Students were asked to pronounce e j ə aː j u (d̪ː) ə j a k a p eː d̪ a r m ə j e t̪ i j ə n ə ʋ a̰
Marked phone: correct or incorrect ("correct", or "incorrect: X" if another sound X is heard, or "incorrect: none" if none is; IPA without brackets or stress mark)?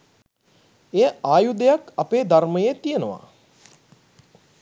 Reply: incorrect: d̪